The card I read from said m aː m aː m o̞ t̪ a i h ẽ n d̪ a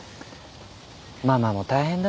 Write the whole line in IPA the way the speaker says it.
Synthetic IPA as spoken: m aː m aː m o̞ t̪ a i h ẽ n d̪ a